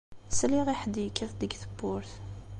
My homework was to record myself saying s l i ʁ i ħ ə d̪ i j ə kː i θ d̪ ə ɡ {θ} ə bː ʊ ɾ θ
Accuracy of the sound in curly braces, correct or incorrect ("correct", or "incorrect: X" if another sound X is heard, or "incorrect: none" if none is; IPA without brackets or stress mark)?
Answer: correct